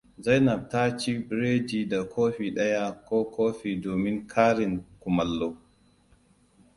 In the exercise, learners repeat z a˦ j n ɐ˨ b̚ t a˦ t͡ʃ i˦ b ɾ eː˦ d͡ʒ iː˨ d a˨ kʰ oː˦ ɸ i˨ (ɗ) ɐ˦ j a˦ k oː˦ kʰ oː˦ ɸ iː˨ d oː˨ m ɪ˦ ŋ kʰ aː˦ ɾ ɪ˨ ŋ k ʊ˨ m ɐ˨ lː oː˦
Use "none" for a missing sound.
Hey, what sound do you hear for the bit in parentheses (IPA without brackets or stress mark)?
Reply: ɗ